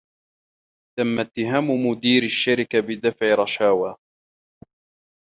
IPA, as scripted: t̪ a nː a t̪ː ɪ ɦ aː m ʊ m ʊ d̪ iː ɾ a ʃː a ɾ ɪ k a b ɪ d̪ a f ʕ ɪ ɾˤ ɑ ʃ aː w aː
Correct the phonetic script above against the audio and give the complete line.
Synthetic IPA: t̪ a mː a t̪ː ɪ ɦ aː m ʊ m ʊ d̪ iː ɾ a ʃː a ɾ ɪ k a b ɪ d̪ a f ʕ ɪ ɾˤ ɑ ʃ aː w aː